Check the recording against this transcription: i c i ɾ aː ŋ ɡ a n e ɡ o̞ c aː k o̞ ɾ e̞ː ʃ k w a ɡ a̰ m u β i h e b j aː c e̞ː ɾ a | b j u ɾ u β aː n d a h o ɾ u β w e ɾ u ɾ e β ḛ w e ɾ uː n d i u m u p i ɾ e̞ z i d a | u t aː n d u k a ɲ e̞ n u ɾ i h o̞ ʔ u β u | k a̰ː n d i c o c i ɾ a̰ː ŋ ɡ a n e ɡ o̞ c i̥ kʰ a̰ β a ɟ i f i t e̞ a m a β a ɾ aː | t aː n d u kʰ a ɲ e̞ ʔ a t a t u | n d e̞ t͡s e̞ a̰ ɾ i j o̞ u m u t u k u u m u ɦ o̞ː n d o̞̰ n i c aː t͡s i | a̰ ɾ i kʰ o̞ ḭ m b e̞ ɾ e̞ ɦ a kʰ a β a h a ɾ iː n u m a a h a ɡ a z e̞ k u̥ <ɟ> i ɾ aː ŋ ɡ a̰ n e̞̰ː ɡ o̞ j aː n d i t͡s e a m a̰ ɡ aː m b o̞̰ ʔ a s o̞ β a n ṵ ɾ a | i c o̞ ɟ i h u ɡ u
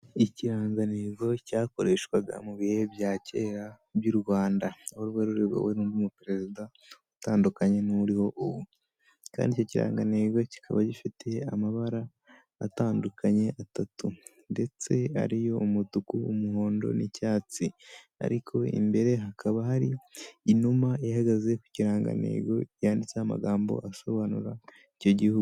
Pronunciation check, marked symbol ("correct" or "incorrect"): incorrect